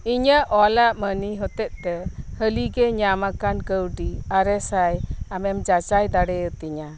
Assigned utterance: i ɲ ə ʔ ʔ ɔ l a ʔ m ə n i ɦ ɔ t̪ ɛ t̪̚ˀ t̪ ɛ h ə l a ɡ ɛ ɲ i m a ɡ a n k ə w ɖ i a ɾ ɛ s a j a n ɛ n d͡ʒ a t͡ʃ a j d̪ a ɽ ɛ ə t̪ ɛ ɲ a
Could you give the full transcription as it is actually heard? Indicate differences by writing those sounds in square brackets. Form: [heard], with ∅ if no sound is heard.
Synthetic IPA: i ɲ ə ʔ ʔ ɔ l a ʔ m ə n i ɦ ɔ t̪ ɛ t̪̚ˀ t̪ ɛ h ə l [i] ɡ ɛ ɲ [a] m a [k] a n k ə w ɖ i a ɾ ɛ s a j a [m] ɛ [m] d͡ʒ a t͡ʃ a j d̪ a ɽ ɛ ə t̪ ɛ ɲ a